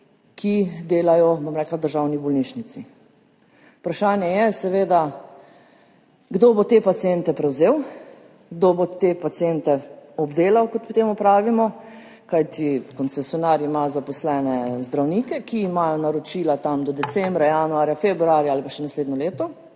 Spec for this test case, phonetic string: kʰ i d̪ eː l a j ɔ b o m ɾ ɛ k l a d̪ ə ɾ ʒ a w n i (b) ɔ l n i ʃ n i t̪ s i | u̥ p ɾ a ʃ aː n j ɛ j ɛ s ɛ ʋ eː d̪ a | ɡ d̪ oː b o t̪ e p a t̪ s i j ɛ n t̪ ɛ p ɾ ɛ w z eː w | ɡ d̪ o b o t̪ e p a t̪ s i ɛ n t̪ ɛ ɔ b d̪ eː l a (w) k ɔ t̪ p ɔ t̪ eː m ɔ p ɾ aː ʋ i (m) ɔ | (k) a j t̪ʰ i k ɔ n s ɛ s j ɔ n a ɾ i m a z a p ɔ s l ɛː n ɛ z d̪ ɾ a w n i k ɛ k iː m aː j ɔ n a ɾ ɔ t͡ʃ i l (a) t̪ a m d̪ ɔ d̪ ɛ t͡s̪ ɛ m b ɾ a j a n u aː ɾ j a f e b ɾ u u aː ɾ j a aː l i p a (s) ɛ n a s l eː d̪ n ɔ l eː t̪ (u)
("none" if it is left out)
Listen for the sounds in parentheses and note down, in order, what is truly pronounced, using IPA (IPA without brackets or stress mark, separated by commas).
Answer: b, w, m, k, a, ʃ, ɔ